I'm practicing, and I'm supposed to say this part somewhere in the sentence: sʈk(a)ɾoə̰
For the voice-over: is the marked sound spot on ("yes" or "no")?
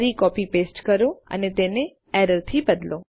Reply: no